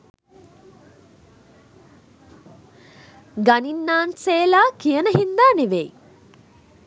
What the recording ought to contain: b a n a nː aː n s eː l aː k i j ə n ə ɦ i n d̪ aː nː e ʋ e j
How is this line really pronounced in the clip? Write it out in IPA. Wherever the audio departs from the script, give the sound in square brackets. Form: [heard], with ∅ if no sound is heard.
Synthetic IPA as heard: [ɡ] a n [i] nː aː n s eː l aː k i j ə n ə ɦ i n d̪ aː [n] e ʋ e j